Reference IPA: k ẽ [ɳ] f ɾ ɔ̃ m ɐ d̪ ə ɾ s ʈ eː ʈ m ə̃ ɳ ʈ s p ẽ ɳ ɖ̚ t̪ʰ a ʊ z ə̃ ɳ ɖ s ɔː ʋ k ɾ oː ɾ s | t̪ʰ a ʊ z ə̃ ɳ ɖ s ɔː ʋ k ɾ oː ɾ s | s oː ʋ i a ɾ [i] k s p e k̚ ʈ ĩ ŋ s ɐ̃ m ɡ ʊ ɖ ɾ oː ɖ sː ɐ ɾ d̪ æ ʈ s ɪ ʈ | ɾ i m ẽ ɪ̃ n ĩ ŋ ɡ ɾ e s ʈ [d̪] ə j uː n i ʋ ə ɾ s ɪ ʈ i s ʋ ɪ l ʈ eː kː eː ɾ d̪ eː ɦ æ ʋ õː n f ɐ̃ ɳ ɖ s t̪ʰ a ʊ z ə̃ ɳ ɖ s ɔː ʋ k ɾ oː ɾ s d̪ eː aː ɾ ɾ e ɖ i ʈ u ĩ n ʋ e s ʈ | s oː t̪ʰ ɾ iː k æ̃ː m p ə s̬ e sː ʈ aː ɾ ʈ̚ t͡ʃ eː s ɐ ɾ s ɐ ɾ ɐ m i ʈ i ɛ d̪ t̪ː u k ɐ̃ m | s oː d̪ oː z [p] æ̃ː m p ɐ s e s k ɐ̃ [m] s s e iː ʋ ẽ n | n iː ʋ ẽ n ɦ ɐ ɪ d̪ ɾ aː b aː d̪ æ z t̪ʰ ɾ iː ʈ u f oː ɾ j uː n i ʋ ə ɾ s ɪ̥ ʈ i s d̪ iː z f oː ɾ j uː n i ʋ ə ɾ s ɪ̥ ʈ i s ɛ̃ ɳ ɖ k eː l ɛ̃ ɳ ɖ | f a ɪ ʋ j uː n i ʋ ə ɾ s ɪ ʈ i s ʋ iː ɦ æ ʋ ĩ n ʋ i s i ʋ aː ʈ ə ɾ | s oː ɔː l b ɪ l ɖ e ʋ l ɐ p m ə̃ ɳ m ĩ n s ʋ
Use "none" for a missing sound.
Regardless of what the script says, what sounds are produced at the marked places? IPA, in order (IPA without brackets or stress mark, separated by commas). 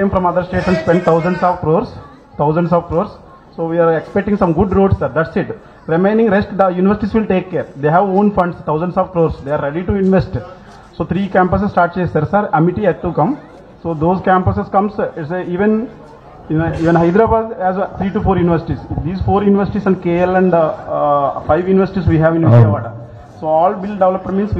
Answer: m, e, d̪, k, m